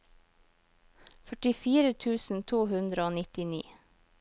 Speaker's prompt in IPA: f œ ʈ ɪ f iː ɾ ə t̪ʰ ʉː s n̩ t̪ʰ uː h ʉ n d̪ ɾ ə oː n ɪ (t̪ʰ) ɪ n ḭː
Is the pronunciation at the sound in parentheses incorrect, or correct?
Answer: incorrect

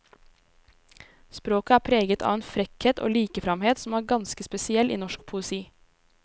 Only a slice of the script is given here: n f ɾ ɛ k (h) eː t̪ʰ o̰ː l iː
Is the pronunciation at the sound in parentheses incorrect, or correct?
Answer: correct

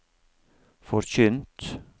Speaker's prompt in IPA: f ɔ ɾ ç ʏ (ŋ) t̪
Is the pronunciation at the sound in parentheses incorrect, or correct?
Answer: incorrect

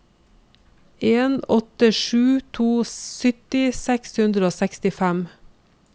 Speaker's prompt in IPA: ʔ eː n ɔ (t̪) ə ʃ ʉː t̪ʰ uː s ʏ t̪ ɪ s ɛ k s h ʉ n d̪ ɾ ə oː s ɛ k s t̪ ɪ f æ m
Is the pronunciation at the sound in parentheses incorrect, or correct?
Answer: correct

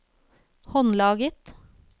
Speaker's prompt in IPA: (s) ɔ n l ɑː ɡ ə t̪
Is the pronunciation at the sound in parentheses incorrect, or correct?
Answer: incorrect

